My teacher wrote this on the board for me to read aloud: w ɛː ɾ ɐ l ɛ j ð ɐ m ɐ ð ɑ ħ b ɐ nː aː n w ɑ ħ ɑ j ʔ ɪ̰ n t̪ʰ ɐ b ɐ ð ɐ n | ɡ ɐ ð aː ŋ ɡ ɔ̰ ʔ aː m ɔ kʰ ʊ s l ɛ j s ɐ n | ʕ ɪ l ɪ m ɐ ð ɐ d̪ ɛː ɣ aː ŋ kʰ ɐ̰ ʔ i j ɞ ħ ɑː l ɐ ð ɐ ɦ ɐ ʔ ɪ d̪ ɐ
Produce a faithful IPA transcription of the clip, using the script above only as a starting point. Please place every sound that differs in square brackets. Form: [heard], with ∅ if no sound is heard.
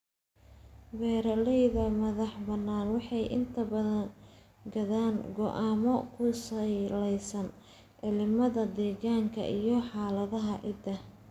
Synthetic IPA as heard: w ɛː ɾ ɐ l ɛ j ð ɐ m ɐ ð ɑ ħ b ɐ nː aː n w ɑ ħ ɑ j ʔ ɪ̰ n t̪ʰ ɐ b ɐ ð ɐ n | ɡ ɐ ð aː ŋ ɡ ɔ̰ ʔ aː m ɔ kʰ ʊ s l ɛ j s ɐ n | ʕ ɪ l ɪ m ɐ ð ɐ d̪ ɛː ɣ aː ŋ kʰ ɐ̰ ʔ i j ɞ ħ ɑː l ɐ ð ɐ ɦ ɐ ʔ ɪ d̪ ɐ